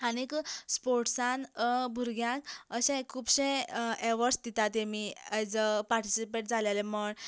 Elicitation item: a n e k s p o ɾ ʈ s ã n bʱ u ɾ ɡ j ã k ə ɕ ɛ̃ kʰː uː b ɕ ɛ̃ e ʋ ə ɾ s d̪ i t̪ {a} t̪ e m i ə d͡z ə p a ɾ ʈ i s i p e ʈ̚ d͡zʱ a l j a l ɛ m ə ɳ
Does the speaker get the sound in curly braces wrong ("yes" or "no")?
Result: no